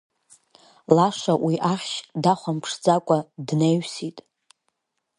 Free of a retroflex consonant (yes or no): no